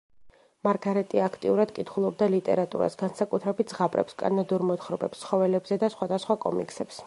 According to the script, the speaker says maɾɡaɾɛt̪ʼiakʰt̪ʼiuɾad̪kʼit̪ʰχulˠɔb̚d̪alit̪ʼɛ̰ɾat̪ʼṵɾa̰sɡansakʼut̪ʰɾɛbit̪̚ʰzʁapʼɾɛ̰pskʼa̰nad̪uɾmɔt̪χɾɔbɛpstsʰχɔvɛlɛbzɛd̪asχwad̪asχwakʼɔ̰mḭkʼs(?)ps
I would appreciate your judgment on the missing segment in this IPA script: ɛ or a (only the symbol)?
ɛ